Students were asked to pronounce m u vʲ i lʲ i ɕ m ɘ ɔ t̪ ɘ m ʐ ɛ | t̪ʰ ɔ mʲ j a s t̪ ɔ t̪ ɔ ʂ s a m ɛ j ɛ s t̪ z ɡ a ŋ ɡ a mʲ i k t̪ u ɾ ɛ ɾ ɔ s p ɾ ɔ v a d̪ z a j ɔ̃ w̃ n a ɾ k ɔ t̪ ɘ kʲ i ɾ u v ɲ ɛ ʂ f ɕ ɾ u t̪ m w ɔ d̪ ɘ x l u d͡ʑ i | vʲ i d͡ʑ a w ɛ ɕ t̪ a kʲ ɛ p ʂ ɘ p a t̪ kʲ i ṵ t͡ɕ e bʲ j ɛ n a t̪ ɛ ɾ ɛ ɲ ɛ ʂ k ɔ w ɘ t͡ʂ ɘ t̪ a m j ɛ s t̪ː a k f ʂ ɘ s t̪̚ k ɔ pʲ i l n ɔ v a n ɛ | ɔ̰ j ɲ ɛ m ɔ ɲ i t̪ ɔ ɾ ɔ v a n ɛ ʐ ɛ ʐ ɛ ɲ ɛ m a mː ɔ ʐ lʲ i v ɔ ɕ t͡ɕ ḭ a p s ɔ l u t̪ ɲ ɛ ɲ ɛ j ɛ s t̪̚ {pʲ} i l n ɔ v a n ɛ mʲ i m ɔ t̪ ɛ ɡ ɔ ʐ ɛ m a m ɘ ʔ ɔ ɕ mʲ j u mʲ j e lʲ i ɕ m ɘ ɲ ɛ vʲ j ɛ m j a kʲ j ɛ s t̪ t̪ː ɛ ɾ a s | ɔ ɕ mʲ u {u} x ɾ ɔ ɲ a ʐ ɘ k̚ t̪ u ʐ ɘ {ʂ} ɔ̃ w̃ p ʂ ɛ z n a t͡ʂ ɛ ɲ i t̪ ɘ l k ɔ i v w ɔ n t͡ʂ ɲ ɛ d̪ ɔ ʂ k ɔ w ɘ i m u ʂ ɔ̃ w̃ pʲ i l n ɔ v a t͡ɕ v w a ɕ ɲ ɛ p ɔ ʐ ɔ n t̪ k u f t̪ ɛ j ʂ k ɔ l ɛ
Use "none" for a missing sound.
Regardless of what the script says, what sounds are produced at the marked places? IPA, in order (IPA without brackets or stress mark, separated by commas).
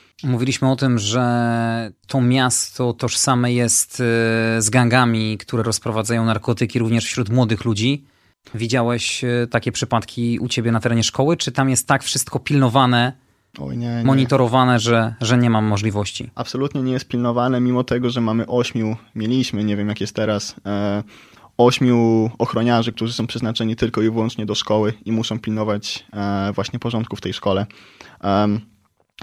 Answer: pʲ, ɔ, s